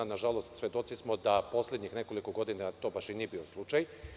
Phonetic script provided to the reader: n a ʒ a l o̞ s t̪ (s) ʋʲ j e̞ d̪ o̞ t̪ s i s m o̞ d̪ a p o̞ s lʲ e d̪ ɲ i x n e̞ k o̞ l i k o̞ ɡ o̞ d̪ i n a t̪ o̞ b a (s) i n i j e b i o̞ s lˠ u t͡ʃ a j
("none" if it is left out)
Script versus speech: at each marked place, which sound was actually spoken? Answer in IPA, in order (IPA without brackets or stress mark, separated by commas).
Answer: s, ʃ